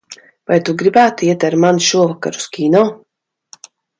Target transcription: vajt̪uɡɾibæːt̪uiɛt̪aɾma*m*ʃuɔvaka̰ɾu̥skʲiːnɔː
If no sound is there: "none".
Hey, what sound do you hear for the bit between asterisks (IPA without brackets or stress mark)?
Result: n